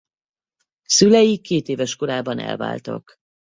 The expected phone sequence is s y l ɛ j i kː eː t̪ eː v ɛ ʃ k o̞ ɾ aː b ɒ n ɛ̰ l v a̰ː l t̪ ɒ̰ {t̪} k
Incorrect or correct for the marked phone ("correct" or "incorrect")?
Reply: incorrect